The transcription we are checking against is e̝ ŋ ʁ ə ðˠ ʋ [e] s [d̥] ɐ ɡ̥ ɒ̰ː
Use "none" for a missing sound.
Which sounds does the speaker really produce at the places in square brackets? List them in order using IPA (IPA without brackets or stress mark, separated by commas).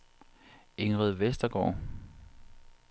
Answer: e, d̥